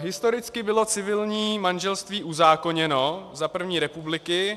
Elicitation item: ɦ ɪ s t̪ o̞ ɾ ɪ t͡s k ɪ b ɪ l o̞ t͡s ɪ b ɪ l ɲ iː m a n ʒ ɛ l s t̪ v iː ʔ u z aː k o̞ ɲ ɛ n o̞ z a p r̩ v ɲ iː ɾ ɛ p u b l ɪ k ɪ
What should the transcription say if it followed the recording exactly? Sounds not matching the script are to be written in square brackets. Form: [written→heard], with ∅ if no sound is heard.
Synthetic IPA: ɦ ɪ s t̪ o̞ ɾ ɪ t͡s k ɪ b ɪ l o̞ t͡s ɪ [b→v] ɪ l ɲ iː m a n ʒ ɛ l s t̪ v iː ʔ u z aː k o̞ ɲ ɛ n o̞ z a p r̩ v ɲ iː ɾ ɛ p u b l ɪ k ɪ